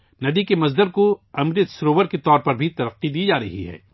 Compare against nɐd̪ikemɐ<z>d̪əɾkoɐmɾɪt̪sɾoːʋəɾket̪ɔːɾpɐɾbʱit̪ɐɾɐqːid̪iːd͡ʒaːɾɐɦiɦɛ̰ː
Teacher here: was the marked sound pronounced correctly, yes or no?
yes